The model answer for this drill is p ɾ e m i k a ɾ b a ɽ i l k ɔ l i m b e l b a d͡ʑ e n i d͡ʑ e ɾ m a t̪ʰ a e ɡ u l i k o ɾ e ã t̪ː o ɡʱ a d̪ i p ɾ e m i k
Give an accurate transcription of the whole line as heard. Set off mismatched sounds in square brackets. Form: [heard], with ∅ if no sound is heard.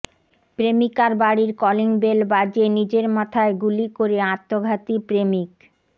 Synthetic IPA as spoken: p ɾ e m i k a ɾ b a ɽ i [ɾ] k ɔ l i [ŋ] b e l b a d͡ʑ e n i d͡ʑ e ɾ m a t̪ʰ a e ɡ u l i k o ɾ e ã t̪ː o ɡʱ a [t̪] i p ɾ e m i k